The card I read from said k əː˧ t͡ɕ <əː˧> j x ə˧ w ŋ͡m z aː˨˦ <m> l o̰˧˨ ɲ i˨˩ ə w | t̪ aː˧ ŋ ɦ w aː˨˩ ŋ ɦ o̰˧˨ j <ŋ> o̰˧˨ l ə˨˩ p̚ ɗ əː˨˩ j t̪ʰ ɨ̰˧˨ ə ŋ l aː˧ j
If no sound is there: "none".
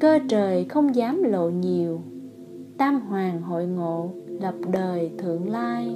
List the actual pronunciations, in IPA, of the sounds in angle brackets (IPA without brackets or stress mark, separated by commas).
əː˨˩, m, ŋ